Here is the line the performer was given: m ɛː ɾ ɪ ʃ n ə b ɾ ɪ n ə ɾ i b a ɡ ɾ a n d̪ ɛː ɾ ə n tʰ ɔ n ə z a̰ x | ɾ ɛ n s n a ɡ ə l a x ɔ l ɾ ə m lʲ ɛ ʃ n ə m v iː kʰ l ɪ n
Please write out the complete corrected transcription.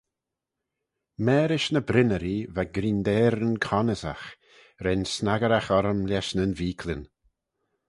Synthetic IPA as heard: m ɛː ɾ ɪ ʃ n ə b ɾ ɪ n ə ɾ i v a ɡ ɾ i n d̪ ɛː ɾ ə n kʰ ɔ n ə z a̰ x | ɾ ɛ n s n a ɡ ə ɾ a x ɔ ɾ ə m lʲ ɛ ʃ n ə n v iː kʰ l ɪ n